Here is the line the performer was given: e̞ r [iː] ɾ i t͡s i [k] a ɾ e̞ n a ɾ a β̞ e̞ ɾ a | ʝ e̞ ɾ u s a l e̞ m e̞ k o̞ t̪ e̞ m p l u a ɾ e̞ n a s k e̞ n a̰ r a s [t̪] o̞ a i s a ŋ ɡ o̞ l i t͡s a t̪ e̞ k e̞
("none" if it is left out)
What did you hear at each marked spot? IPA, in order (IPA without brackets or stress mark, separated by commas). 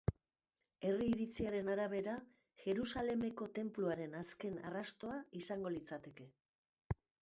iː, none, t̪